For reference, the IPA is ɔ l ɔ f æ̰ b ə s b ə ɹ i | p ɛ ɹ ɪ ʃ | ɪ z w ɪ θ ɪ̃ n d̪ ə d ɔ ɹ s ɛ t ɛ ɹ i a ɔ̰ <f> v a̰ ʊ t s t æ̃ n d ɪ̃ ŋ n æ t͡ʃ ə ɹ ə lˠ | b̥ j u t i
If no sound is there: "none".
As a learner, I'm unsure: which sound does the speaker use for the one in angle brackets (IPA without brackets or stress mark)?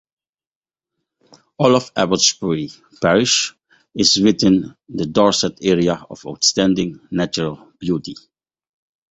none